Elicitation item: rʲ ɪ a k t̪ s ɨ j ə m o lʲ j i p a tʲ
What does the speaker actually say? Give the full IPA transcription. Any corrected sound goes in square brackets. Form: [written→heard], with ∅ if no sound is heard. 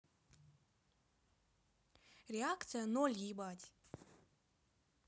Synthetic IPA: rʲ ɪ a k t̪ s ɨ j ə [m→n] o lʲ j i [p→b] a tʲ